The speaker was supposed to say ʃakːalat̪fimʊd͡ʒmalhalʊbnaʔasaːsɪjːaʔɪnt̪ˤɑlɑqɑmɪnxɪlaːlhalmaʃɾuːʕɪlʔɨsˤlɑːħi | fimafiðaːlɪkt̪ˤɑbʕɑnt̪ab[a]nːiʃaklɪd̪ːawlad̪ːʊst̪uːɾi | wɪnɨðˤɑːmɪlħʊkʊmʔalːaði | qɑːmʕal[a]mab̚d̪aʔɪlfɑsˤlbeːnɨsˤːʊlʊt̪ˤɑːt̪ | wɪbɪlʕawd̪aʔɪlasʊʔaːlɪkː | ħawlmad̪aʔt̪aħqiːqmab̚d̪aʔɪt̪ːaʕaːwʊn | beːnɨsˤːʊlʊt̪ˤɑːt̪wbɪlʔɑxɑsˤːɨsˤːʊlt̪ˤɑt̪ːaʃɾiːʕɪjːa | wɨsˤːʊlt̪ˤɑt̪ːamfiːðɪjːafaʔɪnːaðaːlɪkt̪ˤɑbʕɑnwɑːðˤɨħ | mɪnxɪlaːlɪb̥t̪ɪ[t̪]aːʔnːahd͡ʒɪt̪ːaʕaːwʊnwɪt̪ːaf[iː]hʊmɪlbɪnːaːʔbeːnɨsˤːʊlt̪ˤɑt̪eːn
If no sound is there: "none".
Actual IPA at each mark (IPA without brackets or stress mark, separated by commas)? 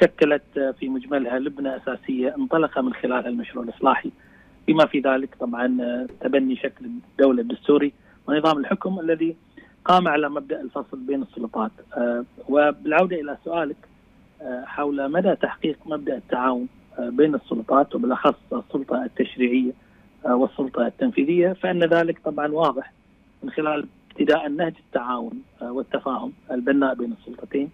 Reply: a, a, d̪, aː